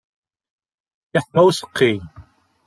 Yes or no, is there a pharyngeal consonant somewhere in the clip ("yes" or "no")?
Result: yes